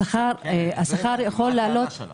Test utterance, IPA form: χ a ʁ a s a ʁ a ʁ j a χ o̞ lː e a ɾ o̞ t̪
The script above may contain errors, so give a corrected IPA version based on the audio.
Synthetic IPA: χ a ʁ a s a χ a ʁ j a χ o̞ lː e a l o̞ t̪